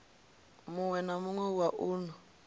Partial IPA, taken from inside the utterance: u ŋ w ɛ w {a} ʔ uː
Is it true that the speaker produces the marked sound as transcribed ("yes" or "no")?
yes